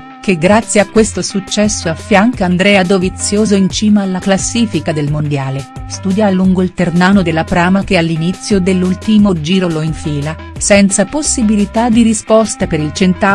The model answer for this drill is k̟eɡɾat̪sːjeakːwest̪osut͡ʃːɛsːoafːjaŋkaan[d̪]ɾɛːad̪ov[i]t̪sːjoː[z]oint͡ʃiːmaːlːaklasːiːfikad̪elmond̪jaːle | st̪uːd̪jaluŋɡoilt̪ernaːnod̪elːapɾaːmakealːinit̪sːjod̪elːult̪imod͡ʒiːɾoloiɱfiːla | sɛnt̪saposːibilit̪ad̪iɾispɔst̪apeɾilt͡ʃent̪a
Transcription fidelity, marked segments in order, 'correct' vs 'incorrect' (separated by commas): correct, correct, correct